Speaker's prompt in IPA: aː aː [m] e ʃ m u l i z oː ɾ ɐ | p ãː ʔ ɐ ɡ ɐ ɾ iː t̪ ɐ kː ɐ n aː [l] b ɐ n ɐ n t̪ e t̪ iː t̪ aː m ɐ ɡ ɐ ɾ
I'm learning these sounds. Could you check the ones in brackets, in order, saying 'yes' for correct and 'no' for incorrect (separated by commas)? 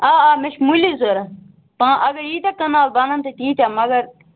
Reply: yes, yes